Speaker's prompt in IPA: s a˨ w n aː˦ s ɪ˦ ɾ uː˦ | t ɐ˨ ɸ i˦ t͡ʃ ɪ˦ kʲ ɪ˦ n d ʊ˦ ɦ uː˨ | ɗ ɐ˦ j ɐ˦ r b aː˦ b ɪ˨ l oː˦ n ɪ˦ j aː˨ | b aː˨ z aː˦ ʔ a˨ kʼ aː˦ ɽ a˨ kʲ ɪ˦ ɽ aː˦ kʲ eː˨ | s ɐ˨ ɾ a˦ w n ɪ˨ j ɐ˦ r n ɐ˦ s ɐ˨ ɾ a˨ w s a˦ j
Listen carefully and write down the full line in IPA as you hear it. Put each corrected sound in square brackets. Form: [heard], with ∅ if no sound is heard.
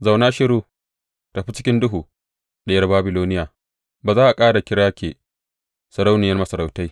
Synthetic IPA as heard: [z] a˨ w n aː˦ [ʃ] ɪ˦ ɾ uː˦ | t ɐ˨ ɸ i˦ t͡ʃ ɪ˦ kʲ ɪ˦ n d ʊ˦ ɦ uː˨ | ɗ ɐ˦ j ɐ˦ r b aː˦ b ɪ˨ l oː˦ n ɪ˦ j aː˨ | b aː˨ z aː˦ ʔ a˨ kʼ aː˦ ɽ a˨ kʲ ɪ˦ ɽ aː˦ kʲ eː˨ | s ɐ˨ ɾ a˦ w n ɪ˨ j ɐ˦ r [m] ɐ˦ s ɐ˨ ɾ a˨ w [t] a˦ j